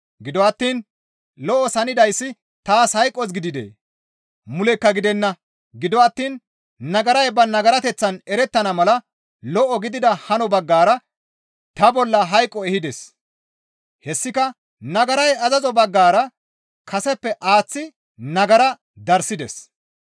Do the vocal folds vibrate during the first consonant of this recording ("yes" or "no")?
yes